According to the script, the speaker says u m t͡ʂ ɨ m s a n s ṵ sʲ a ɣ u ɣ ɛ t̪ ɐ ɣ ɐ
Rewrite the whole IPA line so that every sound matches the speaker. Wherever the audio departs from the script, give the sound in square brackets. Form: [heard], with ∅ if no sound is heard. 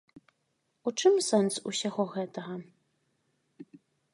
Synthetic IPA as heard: u [∅] t͡ʂ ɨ m s [ɛ] n s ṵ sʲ a ɣ [ɔ] ɣ ɛ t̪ ɐ ɣ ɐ